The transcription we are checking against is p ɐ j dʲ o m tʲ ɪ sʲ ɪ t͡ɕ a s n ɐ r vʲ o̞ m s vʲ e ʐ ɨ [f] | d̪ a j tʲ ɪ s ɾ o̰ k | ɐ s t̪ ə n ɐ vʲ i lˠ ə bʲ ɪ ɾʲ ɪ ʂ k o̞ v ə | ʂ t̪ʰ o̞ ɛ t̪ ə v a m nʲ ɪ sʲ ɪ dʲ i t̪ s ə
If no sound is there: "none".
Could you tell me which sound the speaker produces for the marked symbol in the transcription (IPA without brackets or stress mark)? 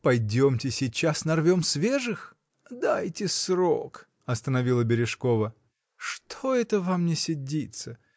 x